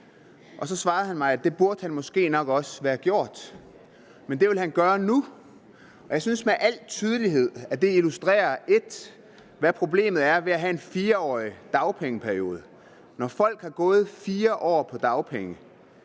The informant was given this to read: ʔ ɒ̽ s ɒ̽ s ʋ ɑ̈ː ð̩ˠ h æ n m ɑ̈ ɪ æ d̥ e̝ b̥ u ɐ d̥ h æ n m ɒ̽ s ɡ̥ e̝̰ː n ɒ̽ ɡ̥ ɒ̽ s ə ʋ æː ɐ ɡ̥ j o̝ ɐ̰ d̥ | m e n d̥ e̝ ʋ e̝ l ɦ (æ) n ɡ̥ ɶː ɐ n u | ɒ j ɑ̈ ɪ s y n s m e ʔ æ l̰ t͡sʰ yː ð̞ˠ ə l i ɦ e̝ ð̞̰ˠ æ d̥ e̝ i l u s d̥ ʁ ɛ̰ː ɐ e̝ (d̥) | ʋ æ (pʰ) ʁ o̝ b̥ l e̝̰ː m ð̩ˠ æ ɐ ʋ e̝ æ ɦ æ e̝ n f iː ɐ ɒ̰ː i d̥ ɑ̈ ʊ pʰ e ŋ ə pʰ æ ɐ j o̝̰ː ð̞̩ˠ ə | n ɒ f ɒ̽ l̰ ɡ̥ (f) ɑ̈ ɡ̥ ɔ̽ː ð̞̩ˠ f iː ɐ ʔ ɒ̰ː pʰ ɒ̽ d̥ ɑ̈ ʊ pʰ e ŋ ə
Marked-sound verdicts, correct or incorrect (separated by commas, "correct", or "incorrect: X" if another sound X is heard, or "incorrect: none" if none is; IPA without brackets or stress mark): correct, correct, correct, incorrect: h